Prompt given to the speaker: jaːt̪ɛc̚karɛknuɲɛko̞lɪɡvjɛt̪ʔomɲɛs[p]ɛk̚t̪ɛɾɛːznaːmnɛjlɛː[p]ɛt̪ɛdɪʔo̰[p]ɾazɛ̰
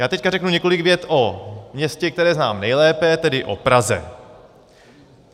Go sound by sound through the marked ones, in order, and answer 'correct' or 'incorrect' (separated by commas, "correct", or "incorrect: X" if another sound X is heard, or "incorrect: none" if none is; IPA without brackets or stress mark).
incorrect: c, correct, correct